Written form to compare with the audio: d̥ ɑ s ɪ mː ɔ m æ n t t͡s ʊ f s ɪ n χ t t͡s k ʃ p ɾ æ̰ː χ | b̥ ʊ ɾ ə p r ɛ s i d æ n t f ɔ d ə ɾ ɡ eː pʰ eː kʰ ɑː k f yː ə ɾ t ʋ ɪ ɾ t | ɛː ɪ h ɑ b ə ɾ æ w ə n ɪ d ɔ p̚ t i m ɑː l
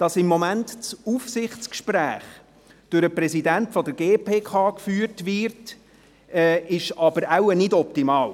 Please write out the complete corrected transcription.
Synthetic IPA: d̥ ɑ s ɪ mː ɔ m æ n t t͡s u f s ɪ χ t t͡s k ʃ p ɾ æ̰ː χ | d̥ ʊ ɾ ə p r ɛ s i d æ n t f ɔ d ə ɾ ɡ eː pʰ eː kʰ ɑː k f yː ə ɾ t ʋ ɪ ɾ t | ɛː ɪ ʃ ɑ b ə ɾ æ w ə n ɪ d ɔ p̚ t i m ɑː l